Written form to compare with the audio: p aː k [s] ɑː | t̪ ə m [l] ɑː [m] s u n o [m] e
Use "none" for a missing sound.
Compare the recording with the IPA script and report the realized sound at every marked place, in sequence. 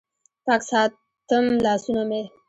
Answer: s, l, none, m

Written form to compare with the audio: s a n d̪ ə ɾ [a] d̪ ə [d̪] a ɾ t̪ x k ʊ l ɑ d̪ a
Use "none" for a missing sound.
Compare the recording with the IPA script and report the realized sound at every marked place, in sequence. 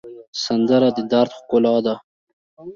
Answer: a, d̪

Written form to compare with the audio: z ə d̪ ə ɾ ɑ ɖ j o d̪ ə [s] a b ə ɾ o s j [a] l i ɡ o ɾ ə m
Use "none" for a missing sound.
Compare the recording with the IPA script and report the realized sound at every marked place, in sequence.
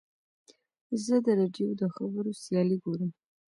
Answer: x, ɑ

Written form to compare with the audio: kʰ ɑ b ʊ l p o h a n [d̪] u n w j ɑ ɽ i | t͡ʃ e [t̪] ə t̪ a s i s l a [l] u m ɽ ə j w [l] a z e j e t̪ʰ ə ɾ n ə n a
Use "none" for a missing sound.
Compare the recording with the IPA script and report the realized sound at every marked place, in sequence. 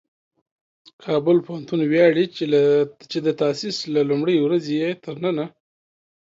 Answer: t̪, d̪, l, ɾ

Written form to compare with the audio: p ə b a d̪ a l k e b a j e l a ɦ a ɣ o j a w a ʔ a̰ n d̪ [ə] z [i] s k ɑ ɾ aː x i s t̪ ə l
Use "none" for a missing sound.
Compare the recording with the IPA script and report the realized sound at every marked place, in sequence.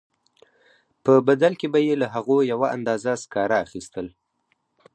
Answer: ɑ, a

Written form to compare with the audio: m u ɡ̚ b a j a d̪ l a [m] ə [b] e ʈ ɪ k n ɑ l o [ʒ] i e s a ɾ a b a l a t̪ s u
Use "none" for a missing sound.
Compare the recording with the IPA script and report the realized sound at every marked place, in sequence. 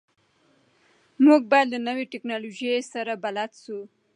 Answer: n, w, ʒ

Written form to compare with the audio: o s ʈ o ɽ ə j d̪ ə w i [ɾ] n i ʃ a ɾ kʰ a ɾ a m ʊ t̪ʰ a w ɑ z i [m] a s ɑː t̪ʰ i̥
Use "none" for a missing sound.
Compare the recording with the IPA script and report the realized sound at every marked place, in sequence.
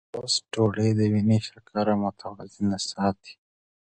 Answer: none, n

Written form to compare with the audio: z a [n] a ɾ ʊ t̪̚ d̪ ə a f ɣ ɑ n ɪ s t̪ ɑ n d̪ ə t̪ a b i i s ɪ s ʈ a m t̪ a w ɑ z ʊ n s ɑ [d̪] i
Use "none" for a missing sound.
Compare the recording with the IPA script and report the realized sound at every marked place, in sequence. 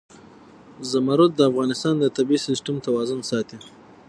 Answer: m, t̪

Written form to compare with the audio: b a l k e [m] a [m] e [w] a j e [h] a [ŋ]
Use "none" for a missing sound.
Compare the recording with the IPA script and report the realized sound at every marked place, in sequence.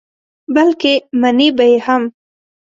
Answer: m, n, b, h, m

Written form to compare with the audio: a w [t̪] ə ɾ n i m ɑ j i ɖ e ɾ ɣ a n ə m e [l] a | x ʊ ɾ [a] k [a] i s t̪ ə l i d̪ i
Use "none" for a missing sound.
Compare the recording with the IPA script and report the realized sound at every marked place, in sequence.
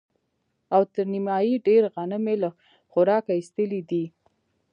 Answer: t̪, l, ɑ, a

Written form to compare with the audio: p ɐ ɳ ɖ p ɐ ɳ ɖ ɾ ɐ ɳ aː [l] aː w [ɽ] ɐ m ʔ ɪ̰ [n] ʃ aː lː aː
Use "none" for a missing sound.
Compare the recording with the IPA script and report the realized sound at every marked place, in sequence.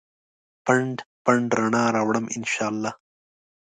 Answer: ɾ, ɽ, n

